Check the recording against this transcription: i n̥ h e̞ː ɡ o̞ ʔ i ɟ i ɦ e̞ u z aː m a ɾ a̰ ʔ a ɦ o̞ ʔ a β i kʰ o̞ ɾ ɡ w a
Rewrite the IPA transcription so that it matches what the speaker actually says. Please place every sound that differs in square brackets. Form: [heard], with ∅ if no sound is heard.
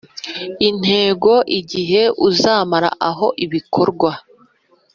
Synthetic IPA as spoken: i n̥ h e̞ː ɡ o̞ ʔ i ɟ i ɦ e̞ u z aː m a ɾ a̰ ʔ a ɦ o̞ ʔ [i] β i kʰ o̞ ɾ ɡ w a

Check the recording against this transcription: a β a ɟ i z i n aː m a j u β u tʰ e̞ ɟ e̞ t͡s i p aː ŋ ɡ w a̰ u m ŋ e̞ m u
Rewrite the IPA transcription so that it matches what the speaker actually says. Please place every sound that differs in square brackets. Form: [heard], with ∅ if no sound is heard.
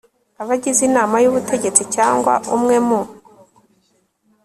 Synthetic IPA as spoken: a β a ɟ i z i n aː m a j u β u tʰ e̞ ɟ e̞ t͡s i [c] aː ŋ ɡ w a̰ u m ŋ e̞ m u

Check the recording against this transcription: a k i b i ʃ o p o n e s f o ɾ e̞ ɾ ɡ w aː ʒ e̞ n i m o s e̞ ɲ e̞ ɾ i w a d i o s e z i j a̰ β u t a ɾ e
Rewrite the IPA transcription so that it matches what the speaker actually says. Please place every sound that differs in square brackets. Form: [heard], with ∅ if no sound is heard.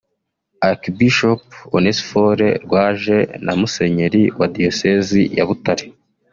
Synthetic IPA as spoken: a k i b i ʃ o p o n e s f o ɾ e̞ ɾ ɡ w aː ʒ e̞ n [a] m [u] s e̞ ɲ e̞ ɾ i w a d i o s e z i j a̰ β u t a ɾ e

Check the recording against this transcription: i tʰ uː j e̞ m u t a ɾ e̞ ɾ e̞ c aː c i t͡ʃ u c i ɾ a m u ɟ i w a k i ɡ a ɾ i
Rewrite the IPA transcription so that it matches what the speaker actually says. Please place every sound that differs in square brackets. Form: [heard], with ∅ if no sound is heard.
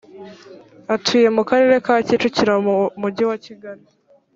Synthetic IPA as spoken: [a] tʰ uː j e̞ m u [k] a ɾ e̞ ɾ e̞ [k] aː c i t͡ʃ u c i ɾ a m u ɟ i w a [c] i ɡ a ɾ i

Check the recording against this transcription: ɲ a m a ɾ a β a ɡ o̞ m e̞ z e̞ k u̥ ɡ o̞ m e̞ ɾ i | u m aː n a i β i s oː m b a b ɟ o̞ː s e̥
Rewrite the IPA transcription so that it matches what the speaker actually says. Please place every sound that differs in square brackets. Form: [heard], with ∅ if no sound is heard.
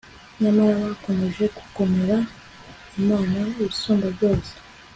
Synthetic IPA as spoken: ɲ a m a ɾ a β a [k] o̞ m e̞ [ʒ] e̞ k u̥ [k] o̞ m e̞ ɾ [a] | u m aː n a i β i s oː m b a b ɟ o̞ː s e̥

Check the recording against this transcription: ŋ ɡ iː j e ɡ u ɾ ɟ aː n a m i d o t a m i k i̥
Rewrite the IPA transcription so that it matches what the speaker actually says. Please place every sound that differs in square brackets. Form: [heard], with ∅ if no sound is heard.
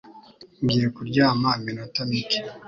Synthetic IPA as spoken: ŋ ɡ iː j e [k] u ɾ ɟ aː [m] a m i [n] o t a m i k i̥

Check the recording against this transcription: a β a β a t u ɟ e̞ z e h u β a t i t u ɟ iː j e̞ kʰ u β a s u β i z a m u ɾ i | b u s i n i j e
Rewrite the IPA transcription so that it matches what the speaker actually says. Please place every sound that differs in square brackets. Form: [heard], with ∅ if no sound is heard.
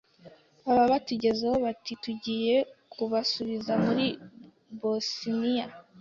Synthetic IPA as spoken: a β a β a t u ɟ e̞ z e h [o] β a t i t u ɟ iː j e̞ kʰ u β a s u β i z a m u ɾ i | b [o] s i n i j [a]

